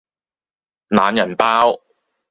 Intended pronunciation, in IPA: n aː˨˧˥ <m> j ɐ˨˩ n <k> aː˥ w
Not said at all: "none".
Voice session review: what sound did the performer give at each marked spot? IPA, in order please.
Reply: n, p

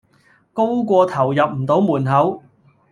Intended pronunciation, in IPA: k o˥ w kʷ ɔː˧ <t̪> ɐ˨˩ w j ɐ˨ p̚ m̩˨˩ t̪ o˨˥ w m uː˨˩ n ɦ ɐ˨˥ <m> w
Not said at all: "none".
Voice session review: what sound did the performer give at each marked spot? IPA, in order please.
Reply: t̪ʰ, none

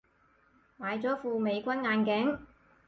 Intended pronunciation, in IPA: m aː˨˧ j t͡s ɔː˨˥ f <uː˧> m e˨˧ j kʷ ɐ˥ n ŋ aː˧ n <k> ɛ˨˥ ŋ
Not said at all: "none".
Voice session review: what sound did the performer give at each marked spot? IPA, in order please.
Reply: uː˧, k

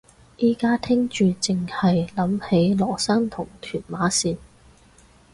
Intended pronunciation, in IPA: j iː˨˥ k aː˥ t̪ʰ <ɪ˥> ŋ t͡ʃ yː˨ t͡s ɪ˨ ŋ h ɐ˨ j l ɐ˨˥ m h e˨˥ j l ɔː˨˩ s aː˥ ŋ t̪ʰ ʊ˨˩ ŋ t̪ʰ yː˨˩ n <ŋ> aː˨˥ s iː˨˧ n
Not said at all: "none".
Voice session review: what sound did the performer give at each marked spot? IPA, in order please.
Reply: ɪ˥, m

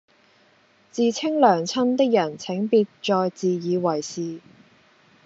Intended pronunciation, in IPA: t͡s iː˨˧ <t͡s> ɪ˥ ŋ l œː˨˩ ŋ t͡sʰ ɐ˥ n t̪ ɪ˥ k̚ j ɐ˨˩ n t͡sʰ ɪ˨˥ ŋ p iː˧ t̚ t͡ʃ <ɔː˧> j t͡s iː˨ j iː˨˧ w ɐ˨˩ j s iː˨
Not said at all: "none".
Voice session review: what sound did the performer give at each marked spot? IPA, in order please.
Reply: t͡sʰ, ɔː˧

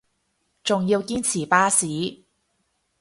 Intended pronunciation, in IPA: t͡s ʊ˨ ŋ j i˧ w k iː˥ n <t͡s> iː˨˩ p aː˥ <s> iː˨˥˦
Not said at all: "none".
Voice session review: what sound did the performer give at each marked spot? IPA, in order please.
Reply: t͡sʰ, s

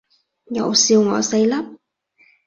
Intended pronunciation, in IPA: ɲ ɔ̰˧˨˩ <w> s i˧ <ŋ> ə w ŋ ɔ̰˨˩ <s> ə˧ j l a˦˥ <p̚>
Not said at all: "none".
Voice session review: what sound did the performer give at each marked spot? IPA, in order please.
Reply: w, none, s, p̚

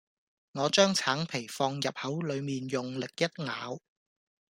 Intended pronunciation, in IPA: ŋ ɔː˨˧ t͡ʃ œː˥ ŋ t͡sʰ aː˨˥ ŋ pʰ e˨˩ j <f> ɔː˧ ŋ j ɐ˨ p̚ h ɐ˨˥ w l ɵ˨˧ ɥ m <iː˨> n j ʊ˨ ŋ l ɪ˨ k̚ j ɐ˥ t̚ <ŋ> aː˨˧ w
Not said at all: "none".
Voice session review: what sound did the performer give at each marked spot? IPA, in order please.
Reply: f, iː˨, ŋ

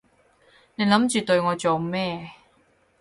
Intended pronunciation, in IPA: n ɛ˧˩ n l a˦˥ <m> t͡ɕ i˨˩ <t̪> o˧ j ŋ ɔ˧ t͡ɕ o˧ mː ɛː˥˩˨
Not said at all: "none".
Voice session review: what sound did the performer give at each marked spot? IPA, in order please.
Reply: m, t̪

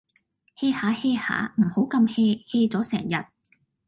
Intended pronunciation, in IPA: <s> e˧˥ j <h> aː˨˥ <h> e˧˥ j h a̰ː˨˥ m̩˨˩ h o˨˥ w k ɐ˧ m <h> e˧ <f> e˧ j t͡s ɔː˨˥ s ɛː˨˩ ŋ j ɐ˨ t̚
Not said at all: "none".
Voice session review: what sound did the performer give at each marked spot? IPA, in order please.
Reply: h, h, h, h, h

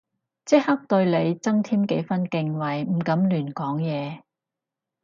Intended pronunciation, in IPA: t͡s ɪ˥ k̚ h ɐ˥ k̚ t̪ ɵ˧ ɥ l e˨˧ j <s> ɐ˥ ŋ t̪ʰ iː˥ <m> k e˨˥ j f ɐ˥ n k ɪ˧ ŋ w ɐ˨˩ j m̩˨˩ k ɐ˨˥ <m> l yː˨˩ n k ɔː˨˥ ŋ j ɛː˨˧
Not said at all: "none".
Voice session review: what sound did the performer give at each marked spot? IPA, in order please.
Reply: t͡s, m, m

